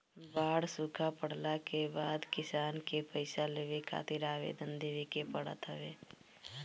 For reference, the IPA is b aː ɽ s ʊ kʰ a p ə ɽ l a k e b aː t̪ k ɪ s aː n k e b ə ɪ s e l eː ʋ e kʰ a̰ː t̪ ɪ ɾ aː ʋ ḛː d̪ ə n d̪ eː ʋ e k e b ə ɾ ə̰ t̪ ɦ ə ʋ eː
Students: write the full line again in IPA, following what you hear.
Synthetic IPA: b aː ɽ s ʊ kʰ a p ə ɽ l a k e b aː d̪ k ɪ s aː n k e p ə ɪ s a l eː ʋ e kʰ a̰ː t̪ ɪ ɾ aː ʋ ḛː d̪ ə n d̪ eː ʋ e k e p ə ɽ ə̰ t̪ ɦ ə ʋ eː